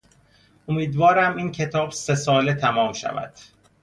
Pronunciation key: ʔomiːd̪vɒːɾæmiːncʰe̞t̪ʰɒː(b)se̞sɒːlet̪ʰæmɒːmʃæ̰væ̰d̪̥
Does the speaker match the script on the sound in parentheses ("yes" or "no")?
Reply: yes